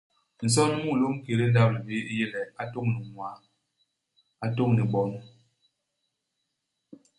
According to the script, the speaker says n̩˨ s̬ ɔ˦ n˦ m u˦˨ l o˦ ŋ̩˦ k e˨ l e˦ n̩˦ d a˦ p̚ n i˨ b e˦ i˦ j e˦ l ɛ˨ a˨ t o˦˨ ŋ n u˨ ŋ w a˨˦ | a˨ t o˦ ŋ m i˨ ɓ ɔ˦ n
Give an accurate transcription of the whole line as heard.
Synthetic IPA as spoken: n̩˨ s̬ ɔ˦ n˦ m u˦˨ l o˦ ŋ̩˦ k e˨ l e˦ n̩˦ d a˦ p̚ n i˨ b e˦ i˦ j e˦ l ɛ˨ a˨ t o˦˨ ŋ n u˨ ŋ w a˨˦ | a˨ t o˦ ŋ n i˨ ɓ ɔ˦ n